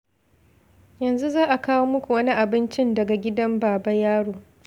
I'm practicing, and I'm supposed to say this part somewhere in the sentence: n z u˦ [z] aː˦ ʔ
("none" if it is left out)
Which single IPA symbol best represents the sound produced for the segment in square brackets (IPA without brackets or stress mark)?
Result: z